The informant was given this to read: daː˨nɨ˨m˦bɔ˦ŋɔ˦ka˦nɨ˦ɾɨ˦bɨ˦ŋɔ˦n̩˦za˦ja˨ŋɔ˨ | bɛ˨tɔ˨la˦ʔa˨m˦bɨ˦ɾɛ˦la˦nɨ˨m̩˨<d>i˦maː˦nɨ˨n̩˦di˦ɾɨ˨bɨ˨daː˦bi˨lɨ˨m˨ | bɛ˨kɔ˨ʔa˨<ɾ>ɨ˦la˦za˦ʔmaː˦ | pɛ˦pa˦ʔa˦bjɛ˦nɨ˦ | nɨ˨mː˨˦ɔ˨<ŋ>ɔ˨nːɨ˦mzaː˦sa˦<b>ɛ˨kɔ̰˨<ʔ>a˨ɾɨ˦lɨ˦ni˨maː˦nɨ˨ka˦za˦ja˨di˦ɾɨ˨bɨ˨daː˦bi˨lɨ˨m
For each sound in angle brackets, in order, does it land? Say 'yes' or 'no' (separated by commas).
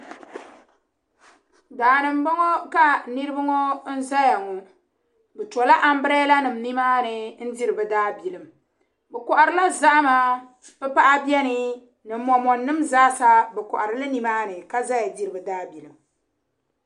no, yes, no, yes, yes